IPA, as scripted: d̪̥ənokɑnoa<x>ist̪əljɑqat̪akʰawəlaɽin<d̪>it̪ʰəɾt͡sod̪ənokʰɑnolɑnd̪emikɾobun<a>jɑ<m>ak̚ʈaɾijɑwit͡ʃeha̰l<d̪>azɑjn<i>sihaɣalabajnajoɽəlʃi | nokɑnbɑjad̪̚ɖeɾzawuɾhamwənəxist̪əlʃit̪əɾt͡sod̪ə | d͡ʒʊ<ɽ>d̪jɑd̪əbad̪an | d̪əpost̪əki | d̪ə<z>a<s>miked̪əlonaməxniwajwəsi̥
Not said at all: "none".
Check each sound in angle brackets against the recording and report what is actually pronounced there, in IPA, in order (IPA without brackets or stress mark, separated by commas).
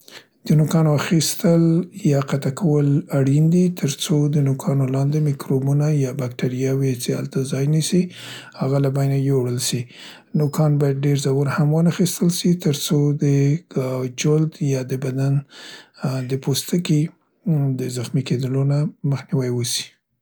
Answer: x, d̪, a, b, t̪, i, l, z, x